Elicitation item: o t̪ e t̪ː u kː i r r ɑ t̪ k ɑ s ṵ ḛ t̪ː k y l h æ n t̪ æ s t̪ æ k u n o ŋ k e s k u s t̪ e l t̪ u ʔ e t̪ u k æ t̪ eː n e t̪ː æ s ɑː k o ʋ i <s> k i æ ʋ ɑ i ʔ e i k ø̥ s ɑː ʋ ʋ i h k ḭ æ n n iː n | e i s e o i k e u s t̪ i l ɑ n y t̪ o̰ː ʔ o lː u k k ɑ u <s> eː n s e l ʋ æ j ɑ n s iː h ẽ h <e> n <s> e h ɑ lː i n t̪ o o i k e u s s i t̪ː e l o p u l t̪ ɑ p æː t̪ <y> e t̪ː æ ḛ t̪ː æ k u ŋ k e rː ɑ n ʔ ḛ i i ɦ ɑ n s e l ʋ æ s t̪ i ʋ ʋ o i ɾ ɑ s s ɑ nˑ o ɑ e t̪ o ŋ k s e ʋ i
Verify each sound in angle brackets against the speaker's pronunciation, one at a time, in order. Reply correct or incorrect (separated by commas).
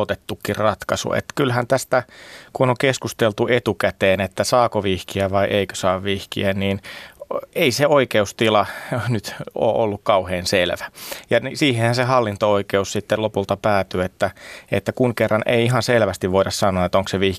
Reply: incorrect, incorrect, incorrect, correct, correct